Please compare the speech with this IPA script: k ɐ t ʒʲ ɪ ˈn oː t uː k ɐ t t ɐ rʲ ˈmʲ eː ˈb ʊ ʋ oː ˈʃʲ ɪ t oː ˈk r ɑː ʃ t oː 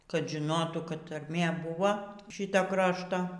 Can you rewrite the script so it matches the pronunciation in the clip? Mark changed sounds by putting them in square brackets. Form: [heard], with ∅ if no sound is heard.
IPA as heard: k ɐ t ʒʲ ɪ ˈn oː t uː k ɐ t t ɐ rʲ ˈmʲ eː ˈb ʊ ʋ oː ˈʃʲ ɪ t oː ˈk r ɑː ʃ t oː